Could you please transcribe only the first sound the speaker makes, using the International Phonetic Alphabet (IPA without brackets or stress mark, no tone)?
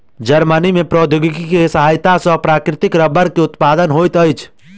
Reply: d͡ʒ